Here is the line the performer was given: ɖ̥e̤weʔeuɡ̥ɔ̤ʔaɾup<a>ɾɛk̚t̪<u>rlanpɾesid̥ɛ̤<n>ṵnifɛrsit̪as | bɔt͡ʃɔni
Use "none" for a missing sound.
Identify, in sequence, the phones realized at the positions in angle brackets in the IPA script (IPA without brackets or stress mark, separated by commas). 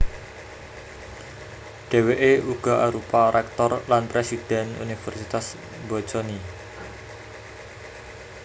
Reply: a, ɔ, n